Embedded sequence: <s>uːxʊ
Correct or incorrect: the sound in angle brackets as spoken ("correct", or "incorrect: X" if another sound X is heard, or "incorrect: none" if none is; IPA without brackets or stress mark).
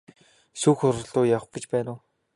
correct